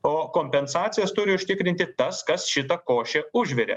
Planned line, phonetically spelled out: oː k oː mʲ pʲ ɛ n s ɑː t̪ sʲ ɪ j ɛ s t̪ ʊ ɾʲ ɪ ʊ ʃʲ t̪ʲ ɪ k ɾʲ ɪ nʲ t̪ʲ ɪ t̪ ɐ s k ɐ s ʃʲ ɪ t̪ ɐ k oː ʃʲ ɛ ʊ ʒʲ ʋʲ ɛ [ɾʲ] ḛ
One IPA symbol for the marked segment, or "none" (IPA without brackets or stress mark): ɾʲ